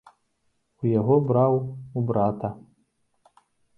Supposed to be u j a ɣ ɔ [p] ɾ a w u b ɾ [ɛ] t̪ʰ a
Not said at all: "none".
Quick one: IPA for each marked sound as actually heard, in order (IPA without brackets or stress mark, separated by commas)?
b, a